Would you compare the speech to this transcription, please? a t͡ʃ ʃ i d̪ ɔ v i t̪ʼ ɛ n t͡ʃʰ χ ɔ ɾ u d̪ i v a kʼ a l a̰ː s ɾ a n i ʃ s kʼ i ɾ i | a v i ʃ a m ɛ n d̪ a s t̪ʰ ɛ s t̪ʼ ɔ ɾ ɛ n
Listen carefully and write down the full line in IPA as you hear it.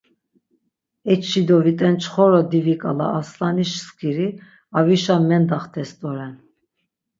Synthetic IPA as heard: ɛ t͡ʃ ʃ i d̪ ɔ v i t̪ʼ ɛ n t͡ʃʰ χ ɔ ɾ ɔ d̪ i v i kʼ a l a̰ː s l a n i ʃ s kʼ i ɾ i | a v i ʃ a m ɛ n d̪ a χ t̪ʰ ɛ s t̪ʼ ɔ ɾ ɛ n

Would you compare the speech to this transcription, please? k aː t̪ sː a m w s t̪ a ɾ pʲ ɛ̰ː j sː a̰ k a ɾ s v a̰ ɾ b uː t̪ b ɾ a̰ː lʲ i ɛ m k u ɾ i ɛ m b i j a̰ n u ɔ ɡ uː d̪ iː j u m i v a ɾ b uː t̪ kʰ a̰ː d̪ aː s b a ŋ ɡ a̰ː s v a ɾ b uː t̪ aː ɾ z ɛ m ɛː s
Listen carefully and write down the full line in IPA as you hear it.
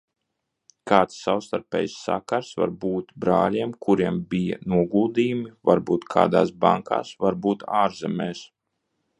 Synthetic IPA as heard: k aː t̪ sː a w s t̪ a ɾ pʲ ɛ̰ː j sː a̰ k a ɾ s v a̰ ɾ b uː t̪ b ɾ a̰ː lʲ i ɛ m k u ɾ i ɛ m b i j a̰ n u ɔ ɡ uː d̪ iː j u m i v a ɾ b uː t̪ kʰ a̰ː d̪ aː s b a ŋ k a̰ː s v a ɾ b uː t̪ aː ɾ z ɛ m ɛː s

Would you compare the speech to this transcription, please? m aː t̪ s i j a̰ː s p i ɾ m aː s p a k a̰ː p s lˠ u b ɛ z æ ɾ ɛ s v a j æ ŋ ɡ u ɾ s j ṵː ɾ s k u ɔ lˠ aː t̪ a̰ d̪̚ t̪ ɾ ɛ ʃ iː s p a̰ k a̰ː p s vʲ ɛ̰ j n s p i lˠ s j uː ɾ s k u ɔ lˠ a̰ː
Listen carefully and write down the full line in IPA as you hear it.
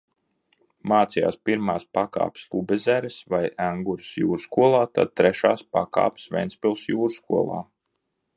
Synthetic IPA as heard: m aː t̪ s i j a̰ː s p i ɾ m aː s p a k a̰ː p s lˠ u b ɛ z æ ɾ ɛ s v a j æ ŋ ɡ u ɾ s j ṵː ɾ s k u ɔ lˠ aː t̪ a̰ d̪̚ t̪ ɾ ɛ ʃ aː s p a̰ k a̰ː p s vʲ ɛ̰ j n s p i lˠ s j uː ɾ s k u ɔ lˠ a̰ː

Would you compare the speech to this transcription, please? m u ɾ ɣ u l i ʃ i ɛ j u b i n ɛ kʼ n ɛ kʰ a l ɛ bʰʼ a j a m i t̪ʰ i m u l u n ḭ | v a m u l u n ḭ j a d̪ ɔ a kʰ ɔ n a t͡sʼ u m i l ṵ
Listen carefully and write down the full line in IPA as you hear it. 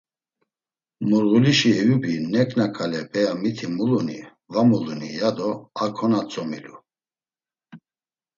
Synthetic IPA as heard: m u ɾ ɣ u l i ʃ i ɛ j u b i n ɛ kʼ n a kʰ a l ɛ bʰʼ ɛ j a m i t̪ʰ i m u l u n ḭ | v a m u l u n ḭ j a d̪ ɔ a kʰ ɔ n a t͡sʼ ɔ m i l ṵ

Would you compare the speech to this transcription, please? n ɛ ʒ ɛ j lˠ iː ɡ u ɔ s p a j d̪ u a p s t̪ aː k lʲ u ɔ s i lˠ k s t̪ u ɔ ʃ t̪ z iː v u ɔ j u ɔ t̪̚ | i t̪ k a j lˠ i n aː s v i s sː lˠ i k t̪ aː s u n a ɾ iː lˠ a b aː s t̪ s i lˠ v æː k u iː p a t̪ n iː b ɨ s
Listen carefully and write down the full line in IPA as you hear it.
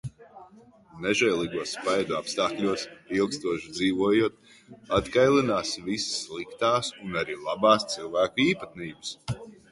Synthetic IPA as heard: n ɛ ʒ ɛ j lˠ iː ɡ u ɔ s p a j d̪ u a p s t̪ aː k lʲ u ɔ s i lˠ k s t̪ u ɔ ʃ d̪ z iː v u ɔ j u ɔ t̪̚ | a t̪ k a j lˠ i n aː s v i s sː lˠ i k t̪ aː s u n a ɾ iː lˠ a b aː s t̪ s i lˠ v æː k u iː p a t̪ n iː b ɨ s

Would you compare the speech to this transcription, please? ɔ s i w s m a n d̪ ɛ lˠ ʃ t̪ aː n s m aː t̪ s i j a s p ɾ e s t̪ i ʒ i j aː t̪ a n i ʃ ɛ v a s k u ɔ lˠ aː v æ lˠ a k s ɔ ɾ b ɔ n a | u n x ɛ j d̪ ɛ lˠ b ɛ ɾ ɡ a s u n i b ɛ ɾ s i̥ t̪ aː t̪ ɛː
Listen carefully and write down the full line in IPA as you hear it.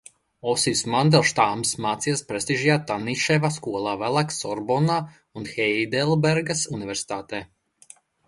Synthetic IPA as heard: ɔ s i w s m a n d̪ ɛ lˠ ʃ t̪ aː m s m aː t̪ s i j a s p ɾ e s t̪ i ʒ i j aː t̪ a n i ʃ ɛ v a s k u ɔ lˠ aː v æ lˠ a k s ɔ ɾ b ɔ n a | u n x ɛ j d̪ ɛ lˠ b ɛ ɾ ɡ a s u n i v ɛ ɾ s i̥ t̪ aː t̪ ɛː

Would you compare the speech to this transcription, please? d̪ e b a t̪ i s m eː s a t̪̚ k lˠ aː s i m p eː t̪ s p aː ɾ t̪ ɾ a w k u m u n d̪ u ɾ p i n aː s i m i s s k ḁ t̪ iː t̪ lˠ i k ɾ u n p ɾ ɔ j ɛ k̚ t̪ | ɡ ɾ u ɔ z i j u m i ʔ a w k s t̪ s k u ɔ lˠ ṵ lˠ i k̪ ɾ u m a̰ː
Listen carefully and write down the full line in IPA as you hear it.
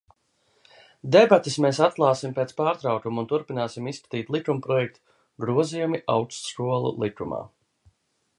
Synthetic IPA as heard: d̪ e b a t̪ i s m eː s a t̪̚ k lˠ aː s i m p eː t̪ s p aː ɾ t̪ ɾ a w k u m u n t̪ u ɾ p i n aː s i m i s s k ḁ t̪ iː t̪ lˠ i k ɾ u m p ɾ ɔ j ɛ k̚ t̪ | ɡ ɾ u ɔ z i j u m i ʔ a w k s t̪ s k u ɔ lˠ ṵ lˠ i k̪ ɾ u m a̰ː

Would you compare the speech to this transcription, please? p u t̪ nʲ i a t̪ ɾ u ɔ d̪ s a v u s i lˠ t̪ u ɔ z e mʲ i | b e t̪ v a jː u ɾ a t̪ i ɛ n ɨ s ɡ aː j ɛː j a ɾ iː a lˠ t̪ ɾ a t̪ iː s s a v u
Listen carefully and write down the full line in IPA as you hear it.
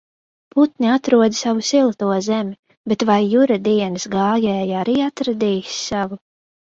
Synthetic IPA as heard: p u t̪ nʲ i a t̪ ɾ u ɔ d̪ s a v u s i lˠ t̪ u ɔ z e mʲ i | b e t̪ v a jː u ɾ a d̪ i ɛ n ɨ s ɡ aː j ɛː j a ɾ iː a t̪ ɾ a d̪ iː s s a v u

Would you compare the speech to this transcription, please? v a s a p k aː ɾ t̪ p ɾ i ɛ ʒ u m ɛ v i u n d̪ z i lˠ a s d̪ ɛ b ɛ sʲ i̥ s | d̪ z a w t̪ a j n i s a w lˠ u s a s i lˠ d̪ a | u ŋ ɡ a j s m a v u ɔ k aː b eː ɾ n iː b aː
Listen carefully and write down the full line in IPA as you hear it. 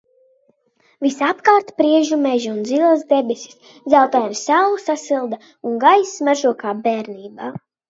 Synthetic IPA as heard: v i s a p k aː ɾ t̪ p ɾ i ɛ ʒ u m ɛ ʒ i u n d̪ z i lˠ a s d̪ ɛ b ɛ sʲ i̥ s | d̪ z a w t̪ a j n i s a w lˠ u s a s i lˠ d̪ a | u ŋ ɡ a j s m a ʒ u ɔ k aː b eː ɾ n iː b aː

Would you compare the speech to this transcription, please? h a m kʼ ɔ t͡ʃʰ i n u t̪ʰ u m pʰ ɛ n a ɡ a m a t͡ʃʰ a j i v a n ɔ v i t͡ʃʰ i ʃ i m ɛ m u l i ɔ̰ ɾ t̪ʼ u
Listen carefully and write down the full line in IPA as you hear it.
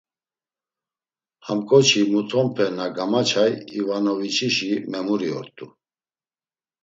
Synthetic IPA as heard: h a m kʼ ɔ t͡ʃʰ i m u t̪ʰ ɔ m pʰ ɛ n a ɡ a m a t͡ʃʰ a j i v a n ɔ v i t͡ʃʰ i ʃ i m ɛ m u ɾ i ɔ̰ ɾ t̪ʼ u

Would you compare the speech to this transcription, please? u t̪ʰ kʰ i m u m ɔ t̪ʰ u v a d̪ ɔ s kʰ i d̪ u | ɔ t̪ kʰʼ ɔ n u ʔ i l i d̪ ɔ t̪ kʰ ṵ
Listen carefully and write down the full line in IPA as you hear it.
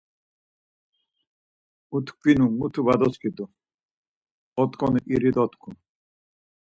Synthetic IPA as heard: u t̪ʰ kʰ i n u m u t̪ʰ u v a d̪ ɔ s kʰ i d̪ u | ɔ t̪ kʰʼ ɔ n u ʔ i ɾ i d̪ ɔ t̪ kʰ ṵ

